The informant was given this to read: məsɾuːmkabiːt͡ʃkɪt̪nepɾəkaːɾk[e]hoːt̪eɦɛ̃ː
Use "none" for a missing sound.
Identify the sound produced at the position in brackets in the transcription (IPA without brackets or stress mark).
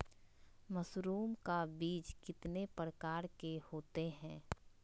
e